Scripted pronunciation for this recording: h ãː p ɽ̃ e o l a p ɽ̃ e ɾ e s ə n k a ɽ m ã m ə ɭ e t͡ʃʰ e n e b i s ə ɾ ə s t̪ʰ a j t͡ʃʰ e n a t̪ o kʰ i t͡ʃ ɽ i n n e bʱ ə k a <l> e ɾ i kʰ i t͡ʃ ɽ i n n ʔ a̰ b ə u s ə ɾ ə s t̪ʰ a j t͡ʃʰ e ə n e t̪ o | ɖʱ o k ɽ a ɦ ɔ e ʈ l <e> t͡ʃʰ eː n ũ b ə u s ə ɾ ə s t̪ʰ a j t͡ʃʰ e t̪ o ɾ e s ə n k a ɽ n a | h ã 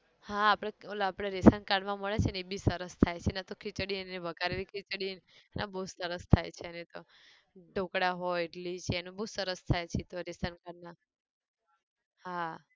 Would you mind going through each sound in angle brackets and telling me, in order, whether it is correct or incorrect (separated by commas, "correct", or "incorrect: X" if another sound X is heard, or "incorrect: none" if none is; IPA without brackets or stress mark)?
incorrect: ɾ, incorrect: i